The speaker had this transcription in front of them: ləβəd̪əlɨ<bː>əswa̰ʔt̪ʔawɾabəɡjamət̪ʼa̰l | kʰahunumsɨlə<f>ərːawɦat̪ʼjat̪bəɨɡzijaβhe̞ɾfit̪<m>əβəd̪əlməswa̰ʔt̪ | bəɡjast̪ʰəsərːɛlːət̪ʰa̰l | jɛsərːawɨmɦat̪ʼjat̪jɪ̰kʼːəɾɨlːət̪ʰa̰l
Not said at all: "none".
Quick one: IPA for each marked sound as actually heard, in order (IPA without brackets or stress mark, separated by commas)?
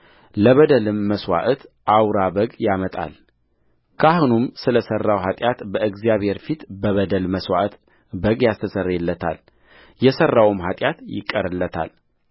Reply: mː, s, b